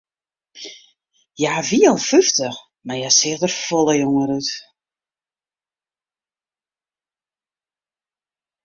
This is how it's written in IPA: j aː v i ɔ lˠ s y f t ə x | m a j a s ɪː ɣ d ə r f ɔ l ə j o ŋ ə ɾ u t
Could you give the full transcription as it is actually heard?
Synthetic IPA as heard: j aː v i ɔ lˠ f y f t ə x | m a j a s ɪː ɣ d ə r f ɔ l ə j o ŋ ə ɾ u t